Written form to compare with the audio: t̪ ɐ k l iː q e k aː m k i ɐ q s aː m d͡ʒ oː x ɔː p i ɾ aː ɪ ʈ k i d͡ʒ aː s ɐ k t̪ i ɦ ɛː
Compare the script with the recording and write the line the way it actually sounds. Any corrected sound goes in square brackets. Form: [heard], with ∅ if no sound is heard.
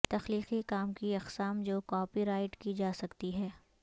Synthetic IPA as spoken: t̪ ɐ [x] l iː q [i] k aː m k i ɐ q s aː m d͡ʒ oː [k] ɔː p i ɾ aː ɪ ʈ k i d͡ʒ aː s ɐ k t̪ i ɦ ɛː